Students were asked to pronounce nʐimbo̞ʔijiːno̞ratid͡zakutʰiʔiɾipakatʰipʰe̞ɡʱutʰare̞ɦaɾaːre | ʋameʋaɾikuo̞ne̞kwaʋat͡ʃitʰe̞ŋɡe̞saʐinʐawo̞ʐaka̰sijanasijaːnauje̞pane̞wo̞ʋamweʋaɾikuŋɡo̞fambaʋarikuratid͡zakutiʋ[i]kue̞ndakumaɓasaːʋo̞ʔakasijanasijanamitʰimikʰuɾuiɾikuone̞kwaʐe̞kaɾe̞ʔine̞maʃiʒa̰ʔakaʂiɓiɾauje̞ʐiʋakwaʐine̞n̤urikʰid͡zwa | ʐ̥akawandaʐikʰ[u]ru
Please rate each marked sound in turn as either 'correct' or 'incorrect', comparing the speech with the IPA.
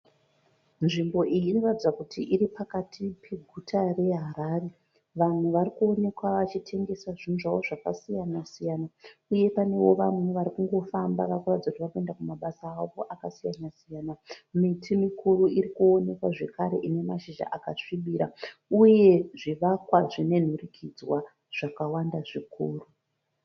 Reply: incorrect: a, incorrect: uː

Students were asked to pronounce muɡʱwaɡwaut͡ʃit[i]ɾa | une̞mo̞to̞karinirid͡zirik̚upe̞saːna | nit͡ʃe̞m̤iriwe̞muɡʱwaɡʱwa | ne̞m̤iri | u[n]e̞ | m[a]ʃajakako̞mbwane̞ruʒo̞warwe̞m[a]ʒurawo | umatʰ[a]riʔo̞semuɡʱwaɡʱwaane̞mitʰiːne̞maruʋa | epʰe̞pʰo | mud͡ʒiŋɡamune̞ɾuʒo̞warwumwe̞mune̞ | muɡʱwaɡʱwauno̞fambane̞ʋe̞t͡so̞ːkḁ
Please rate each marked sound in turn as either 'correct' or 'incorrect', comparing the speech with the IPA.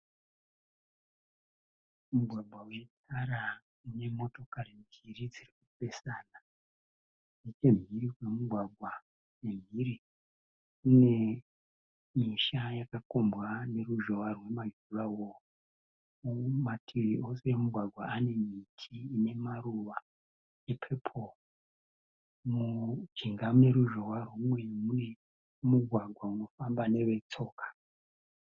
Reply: incorrect: a, correct, incorrect: i, correct, incorrect: i

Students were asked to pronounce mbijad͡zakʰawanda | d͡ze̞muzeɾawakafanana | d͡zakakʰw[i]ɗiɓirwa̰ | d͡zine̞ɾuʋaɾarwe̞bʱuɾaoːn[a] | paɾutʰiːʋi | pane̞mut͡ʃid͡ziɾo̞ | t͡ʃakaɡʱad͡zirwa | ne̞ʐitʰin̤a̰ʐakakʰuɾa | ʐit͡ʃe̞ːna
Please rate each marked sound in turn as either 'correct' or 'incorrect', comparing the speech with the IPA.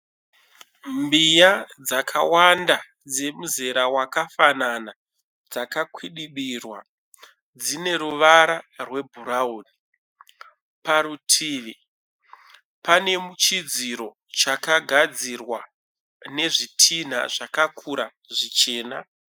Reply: correct, incorrect: i

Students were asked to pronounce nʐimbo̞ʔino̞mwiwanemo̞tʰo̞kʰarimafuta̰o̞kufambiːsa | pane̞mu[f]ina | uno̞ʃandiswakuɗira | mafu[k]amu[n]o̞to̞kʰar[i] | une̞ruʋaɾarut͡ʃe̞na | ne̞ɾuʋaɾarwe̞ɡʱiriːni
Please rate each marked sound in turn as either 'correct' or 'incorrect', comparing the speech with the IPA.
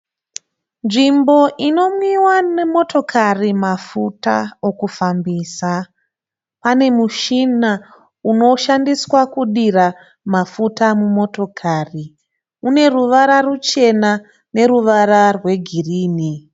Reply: incorrect: ʃ, incorrect: t, incorrect: m, correct

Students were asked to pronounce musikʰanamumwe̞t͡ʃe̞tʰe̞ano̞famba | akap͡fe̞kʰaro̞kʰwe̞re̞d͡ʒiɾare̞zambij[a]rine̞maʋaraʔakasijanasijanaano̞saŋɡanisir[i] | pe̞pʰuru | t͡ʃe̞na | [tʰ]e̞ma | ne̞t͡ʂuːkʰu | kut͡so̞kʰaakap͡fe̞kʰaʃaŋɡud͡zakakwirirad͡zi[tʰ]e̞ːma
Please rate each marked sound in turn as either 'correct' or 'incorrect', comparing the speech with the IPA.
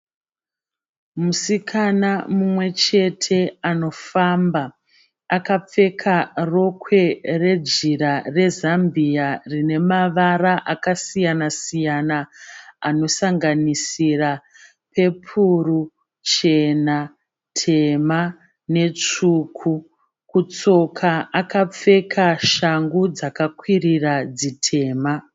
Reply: correct, incorrect: a, correct, correct

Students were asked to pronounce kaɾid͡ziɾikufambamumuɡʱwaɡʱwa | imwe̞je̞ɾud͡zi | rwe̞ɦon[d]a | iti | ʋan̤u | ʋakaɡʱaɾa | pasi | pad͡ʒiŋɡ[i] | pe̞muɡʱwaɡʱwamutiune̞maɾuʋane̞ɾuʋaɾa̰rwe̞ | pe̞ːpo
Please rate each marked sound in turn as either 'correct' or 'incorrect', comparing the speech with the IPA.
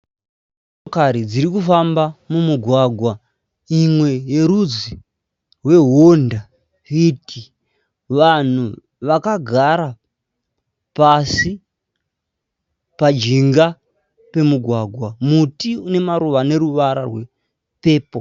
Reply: correct, incorrect: a

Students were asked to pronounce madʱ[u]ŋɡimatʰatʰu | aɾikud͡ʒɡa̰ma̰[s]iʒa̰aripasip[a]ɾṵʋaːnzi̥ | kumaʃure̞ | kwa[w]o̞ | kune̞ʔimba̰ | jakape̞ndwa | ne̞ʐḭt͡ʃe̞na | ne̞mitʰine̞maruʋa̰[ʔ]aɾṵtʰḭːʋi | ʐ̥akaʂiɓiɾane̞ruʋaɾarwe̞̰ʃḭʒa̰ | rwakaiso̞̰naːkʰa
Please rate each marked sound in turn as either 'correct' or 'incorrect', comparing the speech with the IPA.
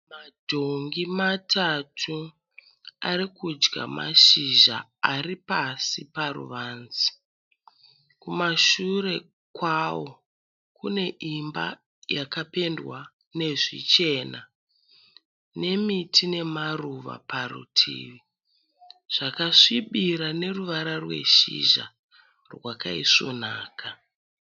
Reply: incorrect: o, incorrect: ʃ, correct, correct, incorrect: p

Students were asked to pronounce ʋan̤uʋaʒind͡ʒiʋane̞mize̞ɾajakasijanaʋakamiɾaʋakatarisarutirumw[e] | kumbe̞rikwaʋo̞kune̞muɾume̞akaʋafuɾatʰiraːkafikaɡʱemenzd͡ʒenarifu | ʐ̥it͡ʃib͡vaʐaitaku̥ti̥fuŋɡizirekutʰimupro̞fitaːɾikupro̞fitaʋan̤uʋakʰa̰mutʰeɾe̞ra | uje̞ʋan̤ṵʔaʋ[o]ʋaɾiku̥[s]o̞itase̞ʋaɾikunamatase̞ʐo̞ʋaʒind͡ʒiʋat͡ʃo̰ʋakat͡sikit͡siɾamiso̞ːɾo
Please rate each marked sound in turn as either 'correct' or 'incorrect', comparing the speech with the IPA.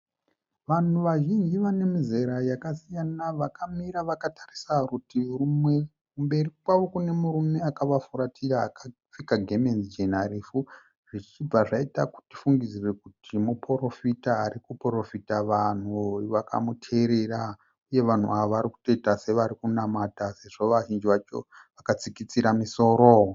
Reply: correct, correct, incorrect: t

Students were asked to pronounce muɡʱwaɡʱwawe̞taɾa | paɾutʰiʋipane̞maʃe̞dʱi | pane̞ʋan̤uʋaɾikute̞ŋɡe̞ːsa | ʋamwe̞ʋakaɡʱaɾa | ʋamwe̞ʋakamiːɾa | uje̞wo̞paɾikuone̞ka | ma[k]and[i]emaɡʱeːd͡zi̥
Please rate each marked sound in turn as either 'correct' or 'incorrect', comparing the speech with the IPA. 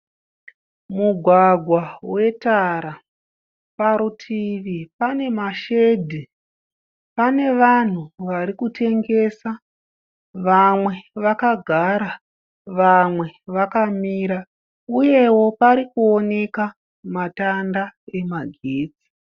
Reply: incorrect: t, incorrect: a

